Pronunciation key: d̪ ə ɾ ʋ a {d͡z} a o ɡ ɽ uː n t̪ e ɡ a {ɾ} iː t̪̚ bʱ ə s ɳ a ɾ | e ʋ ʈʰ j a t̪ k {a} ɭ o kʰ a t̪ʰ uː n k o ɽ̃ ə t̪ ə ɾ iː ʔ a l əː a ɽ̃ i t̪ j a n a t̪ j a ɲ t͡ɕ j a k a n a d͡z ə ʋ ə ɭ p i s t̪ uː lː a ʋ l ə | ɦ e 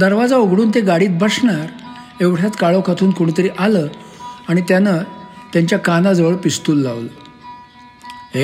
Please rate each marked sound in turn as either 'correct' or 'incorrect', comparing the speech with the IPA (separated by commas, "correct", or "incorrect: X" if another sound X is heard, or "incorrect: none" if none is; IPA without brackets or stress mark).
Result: correct, incorrect: ɽ, correct